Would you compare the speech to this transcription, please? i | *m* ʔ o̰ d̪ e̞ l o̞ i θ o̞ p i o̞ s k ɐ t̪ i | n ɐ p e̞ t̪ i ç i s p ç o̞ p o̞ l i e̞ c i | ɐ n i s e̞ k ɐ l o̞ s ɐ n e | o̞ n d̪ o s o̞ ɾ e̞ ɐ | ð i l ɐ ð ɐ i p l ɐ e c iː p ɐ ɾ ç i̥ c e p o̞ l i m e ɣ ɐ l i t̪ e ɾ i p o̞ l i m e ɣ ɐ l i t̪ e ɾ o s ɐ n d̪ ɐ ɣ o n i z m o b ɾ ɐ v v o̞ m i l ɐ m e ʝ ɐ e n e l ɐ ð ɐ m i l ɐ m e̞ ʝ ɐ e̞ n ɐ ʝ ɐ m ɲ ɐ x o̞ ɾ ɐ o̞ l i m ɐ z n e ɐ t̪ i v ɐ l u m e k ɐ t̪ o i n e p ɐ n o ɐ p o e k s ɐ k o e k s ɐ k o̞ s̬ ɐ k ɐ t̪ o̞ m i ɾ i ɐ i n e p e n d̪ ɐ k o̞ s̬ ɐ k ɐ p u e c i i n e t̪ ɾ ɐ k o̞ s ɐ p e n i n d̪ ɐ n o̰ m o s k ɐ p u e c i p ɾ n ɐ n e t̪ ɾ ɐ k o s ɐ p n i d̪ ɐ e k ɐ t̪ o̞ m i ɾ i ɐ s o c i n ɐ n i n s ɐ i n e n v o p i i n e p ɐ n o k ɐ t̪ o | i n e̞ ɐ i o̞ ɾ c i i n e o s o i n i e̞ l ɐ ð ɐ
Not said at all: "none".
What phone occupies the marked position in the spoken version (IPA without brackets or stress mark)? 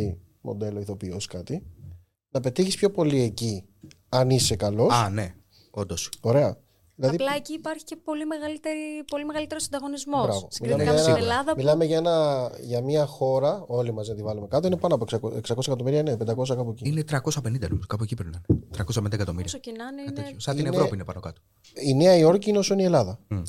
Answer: m